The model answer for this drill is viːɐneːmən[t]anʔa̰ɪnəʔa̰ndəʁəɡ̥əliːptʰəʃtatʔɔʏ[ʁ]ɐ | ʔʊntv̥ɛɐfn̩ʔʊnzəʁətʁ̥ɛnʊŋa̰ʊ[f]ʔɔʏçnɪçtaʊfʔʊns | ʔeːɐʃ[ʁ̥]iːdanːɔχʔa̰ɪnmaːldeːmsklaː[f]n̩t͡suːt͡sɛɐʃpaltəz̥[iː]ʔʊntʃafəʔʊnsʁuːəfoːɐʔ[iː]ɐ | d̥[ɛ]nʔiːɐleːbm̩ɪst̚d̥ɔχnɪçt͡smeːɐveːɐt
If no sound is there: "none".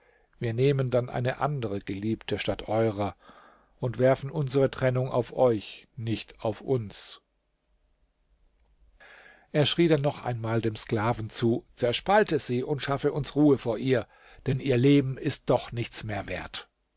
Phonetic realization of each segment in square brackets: d, ʁ, f, ʁ̥, v, iː, iː, ɛ

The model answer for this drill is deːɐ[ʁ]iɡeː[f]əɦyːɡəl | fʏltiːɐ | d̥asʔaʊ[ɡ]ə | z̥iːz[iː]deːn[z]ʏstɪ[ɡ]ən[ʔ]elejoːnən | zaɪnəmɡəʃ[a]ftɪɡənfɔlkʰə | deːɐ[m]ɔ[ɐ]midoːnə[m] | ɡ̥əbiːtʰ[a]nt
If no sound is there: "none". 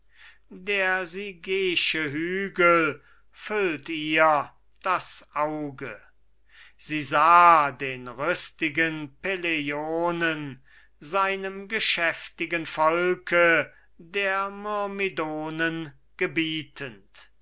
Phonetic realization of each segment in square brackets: z, ʃ, ɡ, aː, ʁ, ɡ, p, ɛ, m, ɐ, n, ə

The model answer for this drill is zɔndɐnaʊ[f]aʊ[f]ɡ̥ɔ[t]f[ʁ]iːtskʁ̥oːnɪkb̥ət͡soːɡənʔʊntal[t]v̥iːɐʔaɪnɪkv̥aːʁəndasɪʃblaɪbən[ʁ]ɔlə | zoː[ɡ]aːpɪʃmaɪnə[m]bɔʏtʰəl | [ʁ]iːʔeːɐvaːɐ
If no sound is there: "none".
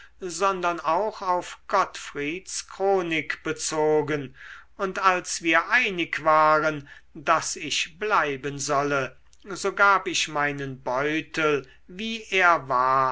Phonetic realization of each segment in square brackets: x, f, t, ʁ, s, z, ɡ, n, v

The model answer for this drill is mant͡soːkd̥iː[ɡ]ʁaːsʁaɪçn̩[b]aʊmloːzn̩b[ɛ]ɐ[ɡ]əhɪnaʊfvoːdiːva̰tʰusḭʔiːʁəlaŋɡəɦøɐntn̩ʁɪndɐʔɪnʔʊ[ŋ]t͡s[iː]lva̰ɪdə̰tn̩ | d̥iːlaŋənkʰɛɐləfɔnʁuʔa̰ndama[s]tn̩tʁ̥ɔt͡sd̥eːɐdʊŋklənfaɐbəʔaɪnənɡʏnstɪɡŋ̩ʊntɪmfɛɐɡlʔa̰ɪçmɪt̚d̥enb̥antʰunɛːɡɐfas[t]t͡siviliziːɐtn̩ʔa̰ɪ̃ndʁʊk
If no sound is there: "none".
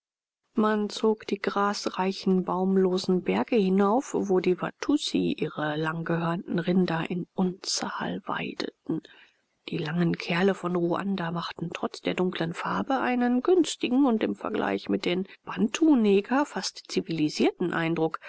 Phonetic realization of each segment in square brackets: ɡ, b, ɛ, ɡ, n, aː, χ, t

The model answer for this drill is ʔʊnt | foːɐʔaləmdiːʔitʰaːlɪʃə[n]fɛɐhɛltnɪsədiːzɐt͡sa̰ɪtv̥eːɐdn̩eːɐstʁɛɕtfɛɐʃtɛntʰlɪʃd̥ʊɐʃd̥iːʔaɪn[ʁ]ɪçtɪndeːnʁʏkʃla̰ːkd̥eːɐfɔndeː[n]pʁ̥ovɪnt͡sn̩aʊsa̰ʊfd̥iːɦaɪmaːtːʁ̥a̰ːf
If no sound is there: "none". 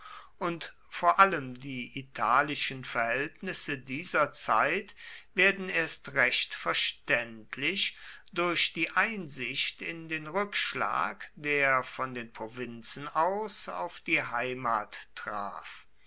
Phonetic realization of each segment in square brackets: n, z, n

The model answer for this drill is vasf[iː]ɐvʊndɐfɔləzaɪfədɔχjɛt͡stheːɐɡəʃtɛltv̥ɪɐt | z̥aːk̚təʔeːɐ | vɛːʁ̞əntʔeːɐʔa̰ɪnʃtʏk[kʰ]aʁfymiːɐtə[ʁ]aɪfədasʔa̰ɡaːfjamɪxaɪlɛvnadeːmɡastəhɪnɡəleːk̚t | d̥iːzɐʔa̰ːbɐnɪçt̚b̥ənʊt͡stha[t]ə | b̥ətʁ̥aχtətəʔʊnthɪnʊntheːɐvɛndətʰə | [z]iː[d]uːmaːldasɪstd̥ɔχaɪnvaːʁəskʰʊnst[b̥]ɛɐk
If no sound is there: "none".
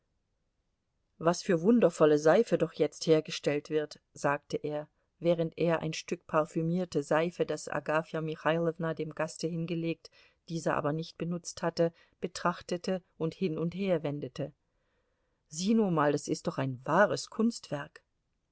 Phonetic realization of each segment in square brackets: yː, pʰ, z, t, z, n, v̥

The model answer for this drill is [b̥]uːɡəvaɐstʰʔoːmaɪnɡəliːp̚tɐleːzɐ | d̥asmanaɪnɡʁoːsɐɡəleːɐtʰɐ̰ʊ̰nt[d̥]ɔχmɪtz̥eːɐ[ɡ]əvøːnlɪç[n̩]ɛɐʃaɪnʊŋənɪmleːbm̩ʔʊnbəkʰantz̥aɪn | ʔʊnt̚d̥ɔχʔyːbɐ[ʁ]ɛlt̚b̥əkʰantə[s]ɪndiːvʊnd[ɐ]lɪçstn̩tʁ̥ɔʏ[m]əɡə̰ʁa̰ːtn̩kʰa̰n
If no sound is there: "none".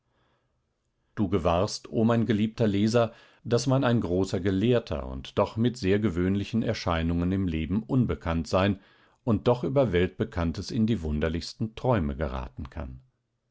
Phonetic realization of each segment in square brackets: d̥, d̥, ɡ, n̩, v, s, ɐ, m

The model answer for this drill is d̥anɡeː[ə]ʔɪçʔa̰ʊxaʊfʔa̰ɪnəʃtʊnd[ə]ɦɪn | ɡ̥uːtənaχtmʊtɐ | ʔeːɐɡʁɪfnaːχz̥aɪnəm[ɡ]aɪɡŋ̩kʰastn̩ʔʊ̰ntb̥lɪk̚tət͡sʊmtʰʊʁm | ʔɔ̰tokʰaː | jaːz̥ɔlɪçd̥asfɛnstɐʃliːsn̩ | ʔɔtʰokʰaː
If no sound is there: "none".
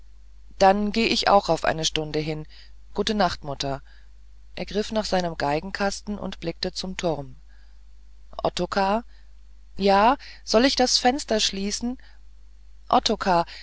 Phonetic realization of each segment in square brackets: ə, ə, ɡ

